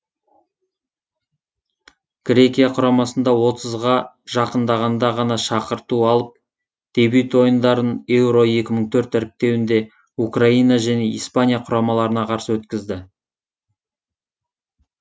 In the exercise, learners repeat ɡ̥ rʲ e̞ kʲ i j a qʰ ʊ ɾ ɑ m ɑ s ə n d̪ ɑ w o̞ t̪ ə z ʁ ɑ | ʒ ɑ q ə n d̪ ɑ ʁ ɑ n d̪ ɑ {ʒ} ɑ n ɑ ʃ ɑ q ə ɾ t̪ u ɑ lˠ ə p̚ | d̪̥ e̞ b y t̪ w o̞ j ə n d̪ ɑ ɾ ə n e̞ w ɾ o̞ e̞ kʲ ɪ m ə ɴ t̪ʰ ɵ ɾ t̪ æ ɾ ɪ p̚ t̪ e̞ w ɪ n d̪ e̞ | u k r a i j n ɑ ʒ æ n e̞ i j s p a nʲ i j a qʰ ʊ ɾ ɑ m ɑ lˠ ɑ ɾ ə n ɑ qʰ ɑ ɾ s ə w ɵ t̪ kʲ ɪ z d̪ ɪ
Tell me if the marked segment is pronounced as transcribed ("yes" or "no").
no